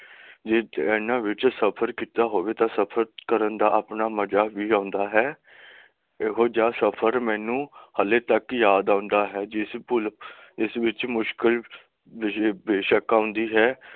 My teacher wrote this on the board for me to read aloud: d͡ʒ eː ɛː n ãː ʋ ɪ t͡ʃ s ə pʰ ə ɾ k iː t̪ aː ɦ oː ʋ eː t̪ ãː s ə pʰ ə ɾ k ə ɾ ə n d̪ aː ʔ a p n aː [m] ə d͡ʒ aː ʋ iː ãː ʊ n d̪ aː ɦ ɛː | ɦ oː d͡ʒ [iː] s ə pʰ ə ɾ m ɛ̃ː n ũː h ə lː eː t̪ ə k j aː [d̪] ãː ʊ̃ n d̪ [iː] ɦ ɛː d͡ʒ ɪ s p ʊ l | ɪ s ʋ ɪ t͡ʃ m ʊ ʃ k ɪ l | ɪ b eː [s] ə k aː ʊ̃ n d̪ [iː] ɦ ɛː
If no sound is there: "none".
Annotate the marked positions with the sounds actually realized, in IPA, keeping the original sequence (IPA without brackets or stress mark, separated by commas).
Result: m, aː, d̪, aː, ʃ, iː